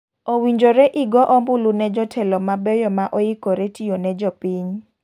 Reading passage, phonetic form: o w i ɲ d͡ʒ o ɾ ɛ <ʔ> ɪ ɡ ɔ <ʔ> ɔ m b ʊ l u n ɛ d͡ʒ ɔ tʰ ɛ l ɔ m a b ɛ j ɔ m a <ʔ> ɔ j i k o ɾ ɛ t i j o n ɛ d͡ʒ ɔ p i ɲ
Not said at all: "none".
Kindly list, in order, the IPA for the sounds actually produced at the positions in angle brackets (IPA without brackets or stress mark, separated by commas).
ʔ, ʔ, ʔ